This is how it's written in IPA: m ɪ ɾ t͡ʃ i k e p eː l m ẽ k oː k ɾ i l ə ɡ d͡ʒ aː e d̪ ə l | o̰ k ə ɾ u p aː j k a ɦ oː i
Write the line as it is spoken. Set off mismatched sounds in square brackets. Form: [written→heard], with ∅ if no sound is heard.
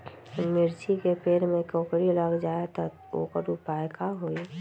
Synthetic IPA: m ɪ ɾ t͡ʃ i k e p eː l m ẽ k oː k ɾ i l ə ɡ d͡ʒ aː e [d̪→t̪] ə [l→∅] | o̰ k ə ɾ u p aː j k a ɦ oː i